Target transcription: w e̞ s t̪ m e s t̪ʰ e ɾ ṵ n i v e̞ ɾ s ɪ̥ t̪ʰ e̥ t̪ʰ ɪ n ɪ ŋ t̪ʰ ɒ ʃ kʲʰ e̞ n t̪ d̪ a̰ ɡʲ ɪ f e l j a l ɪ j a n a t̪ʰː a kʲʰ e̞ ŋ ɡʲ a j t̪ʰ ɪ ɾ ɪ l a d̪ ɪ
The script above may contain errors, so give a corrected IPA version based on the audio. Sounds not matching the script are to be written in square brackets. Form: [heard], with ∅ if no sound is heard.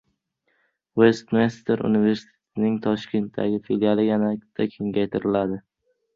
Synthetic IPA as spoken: w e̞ s t̪ m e s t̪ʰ e ɾ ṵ n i v e̞ ɾ s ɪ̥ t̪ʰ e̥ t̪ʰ ɪ n ɪ ŋ t̪ʰ ɒ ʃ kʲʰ e̞ n t̪ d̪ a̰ ɡʲ ɪ f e l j a l ɪ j a n a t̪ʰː a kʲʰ e̞ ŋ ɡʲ a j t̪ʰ ɪ ɾ ɪ l a d̪ ɪ